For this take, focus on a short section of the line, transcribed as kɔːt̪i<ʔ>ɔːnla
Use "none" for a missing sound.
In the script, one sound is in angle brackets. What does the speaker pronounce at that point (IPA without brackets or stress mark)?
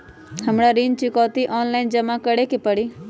ʔ